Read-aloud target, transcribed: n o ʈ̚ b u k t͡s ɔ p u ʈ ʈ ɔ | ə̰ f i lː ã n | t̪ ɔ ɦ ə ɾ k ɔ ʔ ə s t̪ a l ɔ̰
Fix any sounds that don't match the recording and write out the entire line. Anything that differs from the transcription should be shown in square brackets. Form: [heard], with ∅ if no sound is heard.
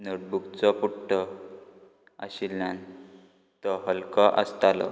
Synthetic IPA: n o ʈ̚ b u k t͡s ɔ p u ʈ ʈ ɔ | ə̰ [ɕ] i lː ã n | t̪ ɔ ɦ ə [l] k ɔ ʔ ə s t̪ a l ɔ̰